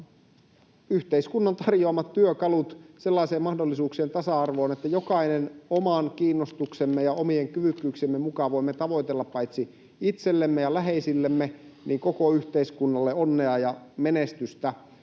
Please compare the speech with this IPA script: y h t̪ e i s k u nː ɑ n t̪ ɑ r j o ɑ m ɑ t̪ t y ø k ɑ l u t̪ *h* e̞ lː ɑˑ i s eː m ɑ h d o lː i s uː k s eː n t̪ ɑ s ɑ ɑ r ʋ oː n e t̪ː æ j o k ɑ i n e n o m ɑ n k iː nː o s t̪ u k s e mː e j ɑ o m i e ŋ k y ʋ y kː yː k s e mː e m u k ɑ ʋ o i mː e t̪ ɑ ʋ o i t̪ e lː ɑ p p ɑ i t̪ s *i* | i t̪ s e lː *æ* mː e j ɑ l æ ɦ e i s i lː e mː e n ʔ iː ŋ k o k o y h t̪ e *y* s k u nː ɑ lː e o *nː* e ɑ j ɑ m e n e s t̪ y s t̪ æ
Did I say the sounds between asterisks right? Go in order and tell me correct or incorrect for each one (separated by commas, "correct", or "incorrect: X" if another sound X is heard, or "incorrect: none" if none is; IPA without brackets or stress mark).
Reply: incorrect: s, correct, incorrect: e, incorrect: i, correct